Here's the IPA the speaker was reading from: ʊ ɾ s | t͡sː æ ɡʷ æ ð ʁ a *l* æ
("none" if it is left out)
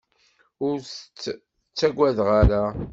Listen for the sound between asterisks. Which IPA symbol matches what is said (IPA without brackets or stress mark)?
ɾ